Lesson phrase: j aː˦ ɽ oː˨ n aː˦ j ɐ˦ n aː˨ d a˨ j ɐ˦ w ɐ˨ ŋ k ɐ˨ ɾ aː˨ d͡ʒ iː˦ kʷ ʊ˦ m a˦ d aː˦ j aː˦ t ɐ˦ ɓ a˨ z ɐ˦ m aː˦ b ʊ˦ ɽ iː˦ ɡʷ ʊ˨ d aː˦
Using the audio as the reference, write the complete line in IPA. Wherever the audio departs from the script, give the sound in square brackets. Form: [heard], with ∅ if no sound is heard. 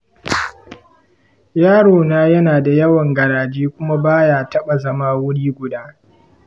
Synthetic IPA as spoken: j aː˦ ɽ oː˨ n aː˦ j ɐ˦ n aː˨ d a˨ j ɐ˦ w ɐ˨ ŋ [ɡ] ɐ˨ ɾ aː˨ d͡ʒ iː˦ kʷ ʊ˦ m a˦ [b] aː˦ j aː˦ t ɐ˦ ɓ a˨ z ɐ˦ m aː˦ [w] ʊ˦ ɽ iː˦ ɡʷ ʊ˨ d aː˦